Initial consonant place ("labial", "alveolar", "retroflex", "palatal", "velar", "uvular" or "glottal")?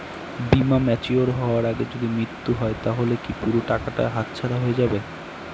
labial